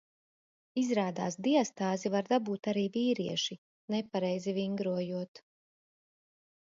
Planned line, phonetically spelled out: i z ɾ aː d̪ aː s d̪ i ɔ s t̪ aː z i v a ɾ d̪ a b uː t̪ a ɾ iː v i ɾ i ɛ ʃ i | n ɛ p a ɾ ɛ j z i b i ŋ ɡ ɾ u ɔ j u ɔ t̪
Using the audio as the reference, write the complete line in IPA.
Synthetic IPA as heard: i z ɾ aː d̪ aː s d̪ i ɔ s t̪ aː z i v a ɾ d̪ a b uː t̪ a ɾ iː v iː ɾ i ɛ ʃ i | n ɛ p a ɾ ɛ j z i v i ŋ ɡ ɾ u ɔ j u ɔ t̪